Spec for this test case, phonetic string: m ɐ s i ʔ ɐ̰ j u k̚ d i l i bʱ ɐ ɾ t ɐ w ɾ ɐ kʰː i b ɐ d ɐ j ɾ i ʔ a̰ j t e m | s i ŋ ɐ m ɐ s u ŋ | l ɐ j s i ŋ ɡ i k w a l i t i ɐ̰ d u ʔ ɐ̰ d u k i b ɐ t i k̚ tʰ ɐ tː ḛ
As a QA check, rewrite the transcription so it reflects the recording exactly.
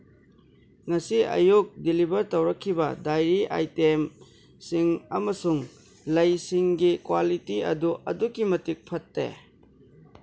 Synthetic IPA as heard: ŋ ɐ s i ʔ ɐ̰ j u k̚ d i l i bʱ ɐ ɾ t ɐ w ɾ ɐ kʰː i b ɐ d a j ɾ i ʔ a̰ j t e m | s i ŋ ɐ m ɐ s u ŋ | l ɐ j s i ŋ ɡ i k w a l i t i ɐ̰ d u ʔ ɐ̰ d u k i m ɐ t i k̚ pʰ ɐ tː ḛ